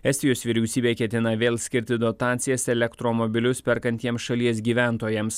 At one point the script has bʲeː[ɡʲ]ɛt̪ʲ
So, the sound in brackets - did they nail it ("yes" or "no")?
no